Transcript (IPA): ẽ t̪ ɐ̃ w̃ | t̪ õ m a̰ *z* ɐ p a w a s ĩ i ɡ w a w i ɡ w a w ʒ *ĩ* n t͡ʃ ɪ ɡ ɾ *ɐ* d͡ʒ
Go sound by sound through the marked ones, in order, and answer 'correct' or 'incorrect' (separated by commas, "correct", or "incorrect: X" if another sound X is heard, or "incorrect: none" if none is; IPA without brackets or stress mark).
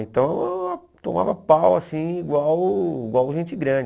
incorrect: v, incorrect: ẽ, incorrect: ɐ̃